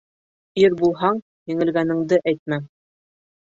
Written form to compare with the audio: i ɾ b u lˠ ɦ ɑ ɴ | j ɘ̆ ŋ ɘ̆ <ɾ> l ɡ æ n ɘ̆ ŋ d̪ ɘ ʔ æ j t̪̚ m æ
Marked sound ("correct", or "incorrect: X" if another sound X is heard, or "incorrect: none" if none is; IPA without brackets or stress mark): incorrect: none